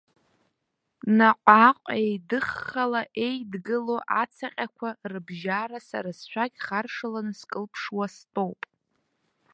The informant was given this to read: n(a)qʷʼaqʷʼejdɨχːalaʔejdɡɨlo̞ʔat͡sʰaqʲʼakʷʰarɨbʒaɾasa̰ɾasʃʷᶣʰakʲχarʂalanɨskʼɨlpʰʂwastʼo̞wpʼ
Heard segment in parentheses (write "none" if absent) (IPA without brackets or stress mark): a